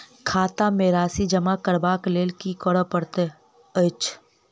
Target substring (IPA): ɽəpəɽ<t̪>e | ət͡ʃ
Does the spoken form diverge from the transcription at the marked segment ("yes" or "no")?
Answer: no